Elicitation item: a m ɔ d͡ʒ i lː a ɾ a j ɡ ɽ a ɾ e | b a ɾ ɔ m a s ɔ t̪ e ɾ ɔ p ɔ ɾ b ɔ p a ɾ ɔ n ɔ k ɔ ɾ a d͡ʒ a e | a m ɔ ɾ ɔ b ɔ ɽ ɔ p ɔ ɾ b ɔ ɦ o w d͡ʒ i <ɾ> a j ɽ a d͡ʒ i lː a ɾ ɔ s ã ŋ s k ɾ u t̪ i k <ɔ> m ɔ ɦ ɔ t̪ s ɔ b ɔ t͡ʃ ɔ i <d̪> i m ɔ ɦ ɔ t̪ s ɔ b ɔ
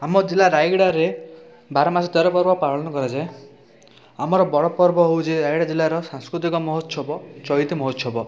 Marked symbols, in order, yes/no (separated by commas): yes, yes, no